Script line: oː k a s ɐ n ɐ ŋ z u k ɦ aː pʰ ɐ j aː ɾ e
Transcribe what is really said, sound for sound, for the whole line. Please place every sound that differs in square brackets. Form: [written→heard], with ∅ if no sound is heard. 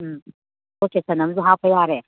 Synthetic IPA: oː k [a→e] s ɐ n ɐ [ŋ→m] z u [k→∅] ɦ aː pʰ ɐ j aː ɾ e